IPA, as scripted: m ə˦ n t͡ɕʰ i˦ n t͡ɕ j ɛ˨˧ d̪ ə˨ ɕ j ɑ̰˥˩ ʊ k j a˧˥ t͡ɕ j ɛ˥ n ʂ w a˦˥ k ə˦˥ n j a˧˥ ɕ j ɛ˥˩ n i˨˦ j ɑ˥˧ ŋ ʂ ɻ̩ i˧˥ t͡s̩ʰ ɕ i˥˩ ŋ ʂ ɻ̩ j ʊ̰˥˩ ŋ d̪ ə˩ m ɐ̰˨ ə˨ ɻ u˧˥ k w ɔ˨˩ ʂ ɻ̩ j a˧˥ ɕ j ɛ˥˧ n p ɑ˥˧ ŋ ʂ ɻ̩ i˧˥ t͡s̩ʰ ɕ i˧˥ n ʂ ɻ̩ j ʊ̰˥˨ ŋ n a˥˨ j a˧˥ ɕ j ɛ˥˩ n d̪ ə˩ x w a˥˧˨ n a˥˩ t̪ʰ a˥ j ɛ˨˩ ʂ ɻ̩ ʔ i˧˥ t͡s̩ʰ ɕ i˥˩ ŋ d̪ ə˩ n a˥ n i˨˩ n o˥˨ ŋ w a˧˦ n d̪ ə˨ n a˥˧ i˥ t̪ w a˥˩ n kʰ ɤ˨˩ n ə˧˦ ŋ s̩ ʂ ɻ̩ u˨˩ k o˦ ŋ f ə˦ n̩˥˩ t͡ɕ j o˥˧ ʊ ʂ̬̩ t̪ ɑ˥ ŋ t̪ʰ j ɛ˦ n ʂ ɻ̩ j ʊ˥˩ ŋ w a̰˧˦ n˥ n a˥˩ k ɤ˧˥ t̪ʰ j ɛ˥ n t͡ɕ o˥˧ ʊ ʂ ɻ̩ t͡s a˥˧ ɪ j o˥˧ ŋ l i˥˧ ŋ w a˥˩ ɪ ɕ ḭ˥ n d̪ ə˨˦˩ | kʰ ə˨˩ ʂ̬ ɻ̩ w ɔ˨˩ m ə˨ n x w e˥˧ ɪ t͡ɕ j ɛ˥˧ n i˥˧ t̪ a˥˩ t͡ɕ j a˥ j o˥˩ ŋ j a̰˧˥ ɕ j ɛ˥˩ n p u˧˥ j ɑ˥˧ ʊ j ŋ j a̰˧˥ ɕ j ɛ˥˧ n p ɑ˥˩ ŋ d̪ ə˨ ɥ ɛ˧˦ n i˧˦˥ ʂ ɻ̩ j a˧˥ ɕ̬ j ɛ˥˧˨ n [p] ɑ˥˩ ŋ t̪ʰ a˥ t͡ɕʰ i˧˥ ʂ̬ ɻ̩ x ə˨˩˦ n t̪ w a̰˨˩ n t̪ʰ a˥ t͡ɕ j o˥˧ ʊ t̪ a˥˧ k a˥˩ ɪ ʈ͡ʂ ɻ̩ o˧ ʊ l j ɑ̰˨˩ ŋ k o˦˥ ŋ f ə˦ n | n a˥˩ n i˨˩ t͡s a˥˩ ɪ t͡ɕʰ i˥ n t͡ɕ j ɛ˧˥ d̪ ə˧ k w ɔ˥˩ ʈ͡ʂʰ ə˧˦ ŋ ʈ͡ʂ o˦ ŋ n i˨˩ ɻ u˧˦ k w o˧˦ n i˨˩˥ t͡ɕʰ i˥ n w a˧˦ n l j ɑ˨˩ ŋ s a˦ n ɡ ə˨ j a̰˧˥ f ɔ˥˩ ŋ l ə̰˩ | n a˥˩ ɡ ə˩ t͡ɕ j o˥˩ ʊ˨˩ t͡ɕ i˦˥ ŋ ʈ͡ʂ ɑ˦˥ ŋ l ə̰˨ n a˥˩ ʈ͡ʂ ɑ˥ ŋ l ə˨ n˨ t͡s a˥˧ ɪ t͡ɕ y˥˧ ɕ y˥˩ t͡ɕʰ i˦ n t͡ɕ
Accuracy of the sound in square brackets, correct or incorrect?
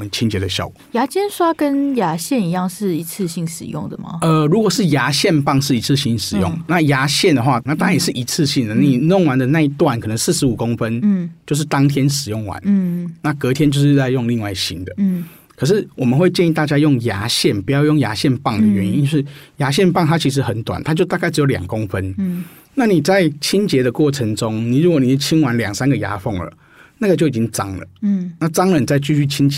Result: correct